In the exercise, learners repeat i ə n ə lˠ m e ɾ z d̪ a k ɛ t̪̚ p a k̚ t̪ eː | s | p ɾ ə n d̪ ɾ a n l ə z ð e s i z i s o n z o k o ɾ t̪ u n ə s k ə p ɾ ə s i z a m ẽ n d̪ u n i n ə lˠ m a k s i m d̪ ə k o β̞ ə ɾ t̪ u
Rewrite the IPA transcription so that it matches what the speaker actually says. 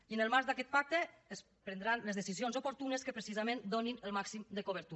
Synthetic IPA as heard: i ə n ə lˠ m a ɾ z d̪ a k ɛ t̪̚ p a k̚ t̪ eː | s | p ɾ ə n d̪ ɾ a n l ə z ð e s i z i o n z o p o ɾ t̪ u n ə s k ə p ɾ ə s i z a m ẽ n d̪ o n i n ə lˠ m a k s i m d̪ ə k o β̞ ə ɾ t̪ u